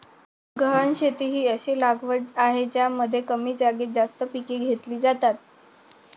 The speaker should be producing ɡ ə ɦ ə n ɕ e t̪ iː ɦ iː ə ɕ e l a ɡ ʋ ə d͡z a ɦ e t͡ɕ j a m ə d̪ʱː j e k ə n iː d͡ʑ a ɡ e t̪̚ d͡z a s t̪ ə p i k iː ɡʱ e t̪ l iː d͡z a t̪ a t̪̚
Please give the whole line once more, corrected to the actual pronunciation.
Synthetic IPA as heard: ɡ ə ɦ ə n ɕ e t̪ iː ɦ iː ə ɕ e l a ɡ ʋ ə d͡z a ɦ e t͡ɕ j a m ə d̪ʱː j e k ə m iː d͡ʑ a ɡ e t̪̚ d͡z a s t̪ ə p i k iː ɡʱ e t̪ l iː d͡z a t̪ a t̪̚